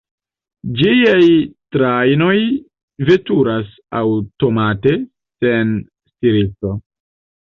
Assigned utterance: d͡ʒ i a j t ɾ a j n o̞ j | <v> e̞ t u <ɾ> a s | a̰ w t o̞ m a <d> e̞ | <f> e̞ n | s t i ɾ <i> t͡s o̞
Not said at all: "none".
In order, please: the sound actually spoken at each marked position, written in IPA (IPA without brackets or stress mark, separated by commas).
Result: v, ɾ, t, s, i